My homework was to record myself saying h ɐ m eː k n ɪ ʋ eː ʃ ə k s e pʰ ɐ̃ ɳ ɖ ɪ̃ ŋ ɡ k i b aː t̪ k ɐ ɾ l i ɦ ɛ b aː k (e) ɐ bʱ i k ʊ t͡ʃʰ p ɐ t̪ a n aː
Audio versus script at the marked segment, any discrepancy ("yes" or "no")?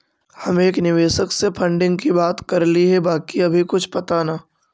yes